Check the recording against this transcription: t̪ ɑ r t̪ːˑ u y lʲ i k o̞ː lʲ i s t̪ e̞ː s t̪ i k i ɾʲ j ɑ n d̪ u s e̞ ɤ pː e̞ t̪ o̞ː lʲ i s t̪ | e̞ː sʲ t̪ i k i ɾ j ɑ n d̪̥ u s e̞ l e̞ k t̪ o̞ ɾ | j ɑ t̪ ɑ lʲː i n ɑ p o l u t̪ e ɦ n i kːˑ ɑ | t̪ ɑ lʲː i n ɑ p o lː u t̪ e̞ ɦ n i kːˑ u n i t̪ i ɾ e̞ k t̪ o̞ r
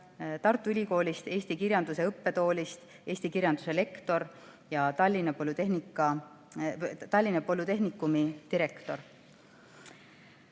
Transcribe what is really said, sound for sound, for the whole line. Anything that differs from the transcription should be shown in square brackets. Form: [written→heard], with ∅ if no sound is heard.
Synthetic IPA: t̪ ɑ r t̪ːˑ u y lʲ i k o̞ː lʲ i s t̪ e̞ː s t̪ i k i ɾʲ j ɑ n d̪ u s e̞ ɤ pː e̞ t̪ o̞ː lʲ i s t̪ | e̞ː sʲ t̪ i k i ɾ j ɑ n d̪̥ u s e̞ l e̞ k t̪ o̞ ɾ | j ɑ t̪ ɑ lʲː i n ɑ p o l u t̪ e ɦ n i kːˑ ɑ | t̪ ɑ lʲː i n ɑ p o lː u t̪ e̞ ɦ n i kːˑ u [n→m] i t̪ i ɾ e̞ k t̪ o̞ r